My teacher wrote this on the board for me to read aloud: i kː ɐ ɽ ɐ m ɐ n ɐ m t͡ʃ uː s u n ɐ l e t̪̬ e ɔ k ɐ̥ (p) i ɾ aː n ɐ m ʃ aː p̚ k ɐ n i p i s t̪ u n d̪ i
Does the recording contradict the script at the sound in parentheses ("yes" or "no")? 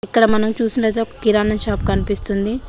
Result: yes